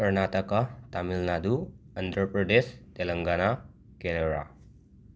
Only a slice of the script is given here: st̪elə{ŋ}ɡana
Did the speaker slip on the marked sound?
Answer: no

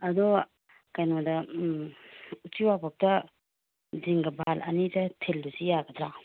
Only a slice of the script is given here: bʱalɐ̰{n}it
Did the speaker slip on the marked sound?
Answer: no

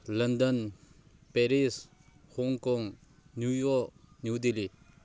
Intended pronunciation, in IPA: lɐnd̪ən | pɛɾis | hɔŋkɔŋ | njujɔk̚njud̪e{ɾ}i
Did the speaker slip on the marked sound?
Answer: yes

